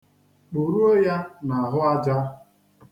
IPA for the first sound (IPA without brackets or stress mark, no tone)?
k͡p